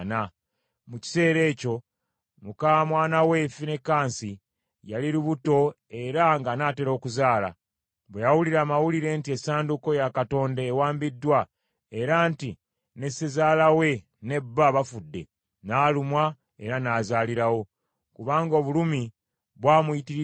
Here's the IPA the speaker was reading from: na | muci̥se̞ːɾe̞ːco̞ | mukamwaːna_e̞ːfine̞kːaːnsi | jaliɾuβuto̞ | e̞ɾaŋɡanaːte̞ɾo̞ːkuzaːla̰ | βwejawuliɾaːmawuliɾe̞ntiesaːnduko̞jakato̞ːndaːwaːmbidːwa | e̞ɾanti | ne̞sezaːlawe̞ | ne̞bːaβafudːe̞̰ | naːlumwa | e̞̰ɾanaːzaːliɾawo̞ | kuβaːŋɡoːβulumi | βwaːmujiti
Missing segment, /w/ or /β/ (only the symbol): w